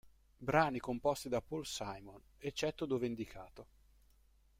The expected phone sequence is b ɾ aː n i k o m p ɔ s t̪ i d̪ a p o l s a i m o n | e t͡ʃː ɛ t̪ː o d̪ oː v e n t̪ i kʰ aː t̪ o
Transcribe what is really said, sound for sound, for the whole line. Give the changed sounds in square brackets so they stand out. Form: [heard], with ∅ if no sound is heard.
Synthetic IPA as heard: b ɾ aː n i k o m p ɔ s t̪ i d̪ a p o l s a [j] m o n | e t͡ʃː ɛ t̪ː o d̪ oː v e n [d̪] i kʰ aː t̪ o

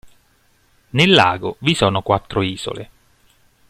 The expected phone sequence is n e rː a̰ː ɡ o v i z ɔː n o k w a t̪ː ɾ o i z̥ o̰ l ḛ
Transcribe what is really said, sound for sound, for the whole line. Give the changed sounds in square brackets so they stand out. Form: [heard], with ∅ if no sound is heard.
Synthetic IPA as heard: n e [lː] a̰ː ɡ o v i [s] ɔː n o k w a t̪ː ɾ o [iː] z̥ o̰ l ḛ

